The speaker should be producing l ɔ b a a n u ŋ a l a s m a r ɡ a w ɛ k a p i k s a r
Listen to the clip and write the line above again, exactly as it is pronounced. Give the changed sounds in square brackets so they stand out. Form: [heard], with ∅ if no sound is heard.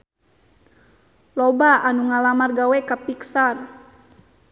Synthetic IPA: l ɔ b a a n u ŋ a l a [∅] m a r ɡ a w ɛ k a p i k s a r